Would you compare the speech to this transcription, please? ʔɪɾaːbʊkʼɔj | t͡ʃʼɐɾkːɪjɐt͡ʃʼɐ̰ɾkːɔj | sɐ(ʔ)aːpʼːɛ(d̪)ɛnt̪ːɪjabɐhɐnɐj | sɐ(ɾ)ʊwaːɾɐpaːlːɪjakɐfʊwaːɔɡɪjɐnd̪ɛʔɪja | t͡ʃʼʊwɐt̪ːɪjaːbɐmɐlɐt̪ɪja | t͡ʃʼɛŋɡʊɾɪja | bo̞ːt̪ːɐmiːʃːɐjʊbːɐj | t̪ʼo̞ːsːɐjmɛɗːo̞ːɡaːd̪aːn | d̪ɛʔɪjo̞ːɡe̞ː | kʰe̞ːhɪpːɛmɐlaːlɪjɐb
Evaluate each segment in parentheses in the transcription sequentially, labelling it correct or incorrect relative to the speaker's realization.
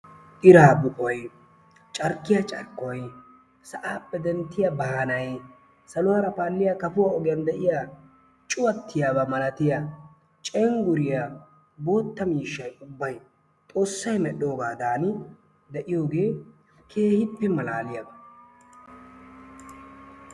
correct, correct, incorrect: l

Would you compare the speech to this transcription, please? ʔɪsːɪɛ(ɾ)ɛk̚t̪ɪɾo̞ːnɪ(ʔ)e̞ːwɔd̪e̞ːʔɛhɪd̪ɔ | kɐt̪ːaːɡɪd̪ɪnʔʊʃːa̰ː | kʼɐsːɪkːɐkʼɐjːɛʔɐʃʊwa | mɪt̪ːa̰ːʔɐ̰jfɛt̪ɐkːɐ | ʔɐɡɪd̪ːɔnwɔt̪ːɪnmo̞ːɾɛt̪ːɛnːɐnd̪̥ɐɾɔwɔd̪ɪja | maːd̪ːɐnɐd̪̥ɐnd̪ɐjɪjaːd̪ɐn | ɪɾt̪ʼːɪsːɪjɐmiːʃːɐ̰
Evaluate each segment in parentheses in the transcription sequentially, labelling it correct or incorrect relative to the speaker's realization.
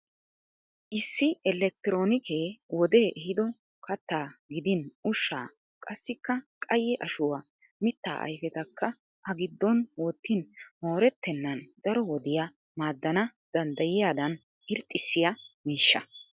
incorrect: l, incorrect: k

